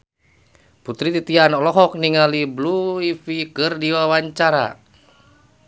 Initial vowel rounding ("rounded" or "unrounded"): rounded